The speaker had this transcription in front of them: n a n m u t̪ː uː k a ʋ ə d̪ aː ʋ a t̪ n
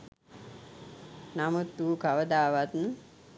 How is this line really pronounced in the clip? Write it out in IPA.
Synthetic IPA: n a m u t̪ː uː k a ʋ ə d̪ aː ʋ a t̪ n